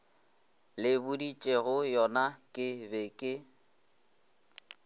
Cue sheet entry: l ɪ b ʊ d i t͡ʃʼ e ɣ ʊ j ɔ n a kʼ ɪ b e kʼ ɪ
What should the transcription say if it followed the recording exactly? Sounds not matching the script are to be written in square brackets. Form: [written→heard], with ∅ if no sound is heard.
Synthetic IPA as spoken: l ɪ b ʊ d i t͡ʃʼ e ɣ ʊ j ɔ n a kʼ ɪ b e kʼ ɪ